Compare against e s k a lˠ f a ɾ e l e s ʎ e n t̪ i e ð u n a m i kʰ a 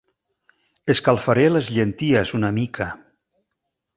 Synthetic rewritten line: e s k a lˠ f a ɾ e l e z ʎ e n t̪ i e z u n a m i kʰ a